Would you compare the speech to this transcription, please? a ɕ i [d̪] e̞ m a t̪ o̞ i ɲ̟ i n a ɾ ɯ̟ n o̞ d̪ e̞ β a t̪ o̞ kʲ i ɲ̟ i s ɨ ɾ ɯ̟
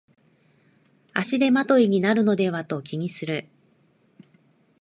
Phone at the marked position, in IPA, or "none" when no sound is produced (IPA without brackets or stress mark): d̪